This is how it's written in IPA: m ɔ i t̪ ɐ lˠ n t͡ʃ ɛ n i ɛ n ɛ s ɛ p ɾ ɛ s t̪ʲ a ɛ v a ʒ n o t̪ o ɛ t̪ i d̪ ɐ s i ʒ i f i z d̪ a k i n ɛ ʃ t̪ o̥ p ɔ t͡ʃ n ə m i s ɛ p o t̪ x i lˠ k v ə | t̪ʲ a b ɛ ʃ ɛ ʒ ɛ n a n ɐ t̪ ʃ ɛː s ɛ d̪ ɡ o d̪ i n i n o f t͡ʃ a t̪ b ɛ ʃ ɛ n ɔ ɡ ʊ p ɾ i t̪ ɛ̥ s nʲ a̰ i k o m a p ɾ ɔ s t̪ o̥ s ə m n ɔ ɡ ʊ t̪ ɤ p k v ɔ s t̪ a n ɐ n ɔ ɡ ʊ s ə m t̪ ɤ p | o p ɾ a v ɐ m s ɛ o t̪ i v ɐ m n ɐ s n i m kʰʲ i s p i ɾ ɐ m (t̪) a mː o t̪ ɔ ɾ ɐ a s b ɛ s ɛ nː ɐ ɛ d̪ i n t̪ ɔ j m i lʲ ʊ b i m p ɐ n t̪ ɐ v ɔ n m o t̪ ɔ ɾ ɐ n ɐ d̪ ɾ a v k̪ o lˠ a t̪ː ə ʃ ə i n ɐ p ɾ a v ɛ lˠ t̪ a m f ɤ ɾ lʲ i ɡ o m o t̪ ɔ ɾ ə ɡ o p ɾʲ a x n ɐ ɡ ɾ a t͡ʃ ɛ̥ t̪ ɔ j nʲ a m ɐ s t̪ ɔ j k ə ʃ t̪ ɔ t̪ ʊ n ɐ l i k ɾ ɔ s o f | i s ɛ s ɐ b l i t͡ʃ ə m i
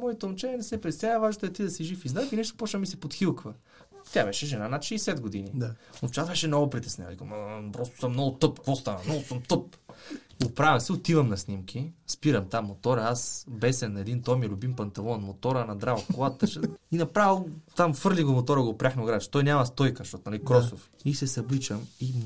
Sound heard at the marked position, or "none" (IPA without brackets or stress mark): t̪